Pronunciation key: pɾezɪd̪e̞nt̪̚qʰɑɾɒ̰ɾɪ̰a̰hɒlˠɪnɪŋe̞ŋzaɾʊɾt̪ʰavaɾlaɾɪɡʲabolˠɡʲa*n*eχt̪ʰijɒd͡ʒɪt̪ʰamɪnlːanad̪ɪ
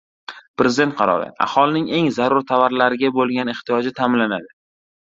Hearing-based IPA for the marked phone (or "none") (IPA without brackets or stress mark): n